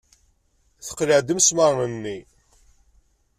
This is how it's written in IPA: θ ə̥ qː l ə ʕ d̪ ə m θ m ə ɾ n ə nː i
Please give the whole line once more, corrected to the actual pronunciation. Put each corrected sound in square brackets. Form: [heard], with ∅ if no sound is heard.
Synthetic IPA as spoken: θ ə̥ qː l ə ʕ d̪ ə m [s] m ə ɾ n ə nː i